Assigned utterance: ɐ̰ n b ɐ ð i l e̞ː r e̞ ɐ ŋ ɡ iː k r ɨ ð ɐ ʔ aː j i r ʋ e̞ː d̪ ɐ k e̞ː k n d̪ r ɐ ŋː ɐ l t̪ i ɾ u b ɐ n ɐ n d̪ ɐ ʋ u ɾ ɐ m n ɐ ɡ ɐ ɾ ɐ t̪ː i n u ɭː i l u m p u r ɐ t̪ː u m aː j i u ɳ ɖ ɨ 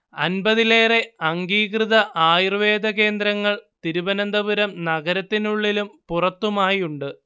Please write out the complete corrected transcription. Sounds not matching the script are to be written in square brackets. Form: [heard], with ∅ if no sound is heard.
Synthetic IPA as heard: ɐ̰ n b ɐ ð i l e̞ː r e̞ ɐ ŋ ɡ iː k r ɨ ð ɐ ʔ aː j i r ʋ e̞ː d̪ ɐ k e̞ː [∅] n d̪ [ɾ] ɐ ŋː ɐ [ɭ] t̪ i ɾ u b ɐ n ɐ n d̪ ɐ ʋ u ɾ ɐ m n ɐ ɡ ɐ ɾ ɐ t̪ː i n u ɭː i l u m p u r ɐ t̪ː u m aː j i u ɳ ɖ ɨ